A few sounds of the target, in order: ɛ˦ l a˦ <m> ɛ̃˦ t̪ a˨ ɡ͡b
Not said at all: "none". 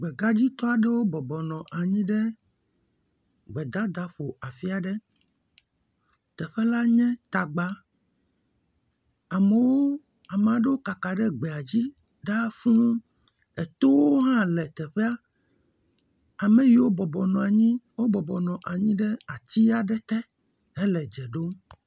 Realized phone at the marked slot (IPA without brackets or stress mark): ɲ